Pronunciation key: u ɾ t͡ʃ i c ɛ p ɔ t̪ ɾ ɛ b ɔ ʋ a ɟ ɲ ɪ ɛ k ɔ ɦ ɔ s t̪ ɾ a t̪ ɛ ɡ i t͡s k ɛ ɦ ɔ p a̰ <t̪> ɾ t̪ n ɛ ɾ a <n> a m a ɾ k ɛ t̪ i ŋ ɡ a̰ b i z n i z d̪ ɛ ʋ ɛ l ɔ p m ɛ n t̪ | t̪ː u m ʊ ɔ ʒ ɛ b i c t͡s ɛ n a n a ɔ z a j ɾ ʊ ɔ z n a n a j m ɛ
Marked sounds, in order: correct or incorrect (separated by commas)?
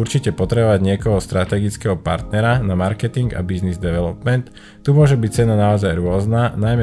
incorrect, correct